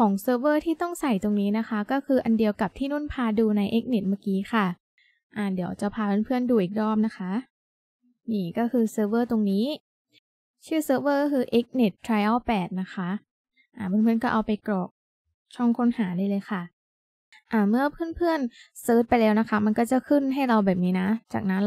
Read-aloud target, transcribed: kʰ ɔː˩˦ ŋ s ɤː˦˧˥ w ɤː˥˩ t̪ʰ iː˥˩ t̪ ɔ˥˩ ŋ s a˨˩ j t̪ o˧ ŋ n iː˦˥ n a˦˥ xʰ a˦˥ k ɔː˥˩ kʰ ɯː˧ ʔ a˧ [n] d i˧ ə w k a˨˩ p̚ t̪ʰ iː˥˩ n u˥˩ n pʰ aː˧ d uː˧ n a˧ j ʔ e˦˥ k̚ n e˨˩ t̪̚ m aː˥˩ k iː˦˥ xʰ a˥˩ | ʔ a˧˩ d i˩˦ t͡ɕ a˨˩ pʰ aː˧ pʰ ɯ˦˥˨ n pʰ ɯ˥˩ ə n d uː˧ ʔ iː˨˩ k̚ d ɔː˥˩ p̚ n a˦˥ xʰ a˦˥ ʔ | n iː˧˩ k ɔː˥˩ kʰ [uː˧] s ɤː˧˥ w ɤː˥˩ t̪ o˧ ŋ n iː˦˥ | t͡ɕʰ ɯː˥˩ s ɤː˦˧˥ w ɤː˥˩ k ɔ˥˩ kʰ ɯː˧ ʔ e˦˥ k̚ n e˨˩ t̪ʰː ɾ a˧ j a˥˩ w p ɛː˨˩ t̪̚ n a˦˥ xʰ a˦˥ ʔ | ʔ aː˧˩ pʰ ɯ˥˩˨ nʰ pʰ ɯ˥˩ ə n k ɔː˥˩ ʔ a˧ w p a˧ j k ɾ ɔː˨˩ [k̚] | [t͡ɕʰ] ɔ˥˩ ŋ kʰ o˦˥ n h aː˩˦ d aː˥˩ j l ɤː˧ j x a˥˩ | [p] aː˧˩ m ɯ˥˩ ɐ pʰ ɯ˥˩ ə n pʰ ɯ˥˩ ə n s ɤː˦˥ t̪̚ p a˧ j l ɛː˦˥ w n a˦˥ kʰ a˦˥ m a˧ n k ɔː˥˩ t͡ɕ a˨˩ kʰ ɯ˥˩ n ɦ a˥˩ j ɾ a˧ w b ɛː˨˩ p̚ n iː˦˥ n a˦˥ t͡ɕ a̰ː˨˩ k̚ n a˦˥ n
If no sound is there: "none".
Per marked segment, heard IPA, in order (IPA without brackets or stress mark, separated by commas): n, ɯː˧, k̚, t͡ɕʰ, ʔ